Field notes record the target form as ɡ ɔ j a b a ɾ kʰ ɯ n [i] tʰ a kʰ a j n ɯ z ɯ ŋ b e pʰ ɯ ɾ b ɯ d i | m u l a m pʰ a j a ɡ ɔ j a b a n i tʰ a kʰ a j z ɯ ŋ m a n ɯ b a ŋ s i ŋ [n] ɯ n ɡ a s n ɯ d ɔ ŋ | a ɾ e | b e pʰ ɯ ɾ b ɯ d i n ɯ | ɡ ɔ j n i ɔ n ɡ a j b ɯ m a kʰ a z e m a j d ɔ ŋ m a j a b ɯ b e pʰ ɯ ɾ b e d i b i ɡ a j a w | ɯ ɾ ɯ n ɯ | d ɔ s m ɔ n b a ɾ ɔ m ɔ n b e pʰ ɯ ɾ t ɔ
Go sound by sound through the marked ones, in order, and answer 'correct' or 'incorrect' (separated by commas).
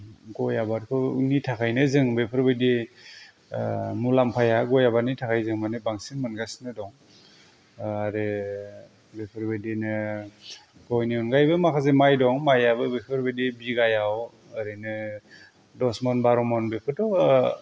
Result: correct, incorrect